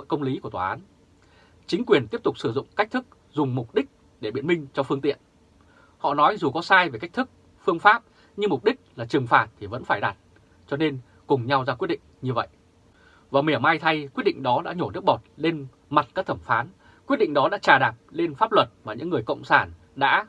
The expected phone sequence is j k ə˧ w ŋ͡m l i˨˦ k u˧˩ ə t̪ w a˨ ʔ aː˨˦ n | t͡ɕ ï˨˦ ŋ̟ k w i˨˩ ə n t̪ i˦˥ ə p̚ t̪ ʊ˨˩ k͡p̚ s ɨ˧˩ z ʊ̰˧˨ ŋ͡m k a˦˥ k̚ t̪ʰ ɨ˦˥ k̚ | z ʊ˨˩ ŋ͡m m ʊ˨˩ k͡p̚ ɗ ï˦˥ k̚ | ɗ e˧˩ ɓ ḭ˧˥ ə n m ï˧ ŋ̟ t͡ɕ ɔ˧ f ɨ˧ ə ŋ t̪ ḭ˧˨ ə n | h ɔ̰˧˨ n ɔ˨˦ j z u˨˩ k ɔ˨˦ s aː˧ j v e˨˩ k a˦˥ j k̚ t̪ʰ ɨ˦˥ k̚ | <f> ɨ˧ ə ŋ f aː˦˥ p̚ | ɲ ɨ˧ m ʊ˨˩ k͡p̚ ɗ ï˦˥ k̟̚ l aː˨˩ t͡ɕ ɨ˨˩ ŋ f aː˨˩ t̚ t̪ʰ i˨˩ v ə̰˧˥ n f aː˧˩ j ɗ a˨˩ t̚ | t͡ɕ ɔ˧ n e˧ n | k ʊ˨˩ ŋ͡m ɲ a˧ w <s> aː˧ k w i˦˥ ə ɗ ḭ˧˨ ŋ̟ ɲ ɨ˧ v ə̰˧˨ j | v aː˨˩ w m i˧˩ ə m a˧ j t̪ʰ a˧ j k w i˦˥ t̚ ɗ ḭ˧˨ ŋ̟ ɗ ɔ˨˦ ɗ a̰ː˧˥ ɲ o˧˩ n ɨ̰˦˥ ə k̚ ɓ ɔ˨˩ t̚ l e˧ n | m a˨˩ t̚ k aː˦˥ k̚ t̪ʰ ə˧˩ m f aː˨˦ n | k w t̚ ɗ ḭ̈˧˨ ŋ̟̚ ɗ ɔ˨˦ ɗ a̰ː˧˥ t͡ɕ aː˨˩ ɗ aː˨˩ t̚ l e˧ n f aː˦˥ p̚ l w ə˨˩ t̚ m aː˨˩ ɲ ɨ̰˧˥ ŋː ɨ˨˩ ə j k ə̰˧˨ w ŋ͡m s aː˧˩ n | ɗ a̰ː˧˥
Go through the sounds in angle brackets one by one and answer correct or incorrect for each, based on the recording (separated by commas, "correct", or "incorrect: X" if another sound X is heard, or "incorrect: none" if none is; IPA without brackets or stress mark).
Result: correct, incorrect: z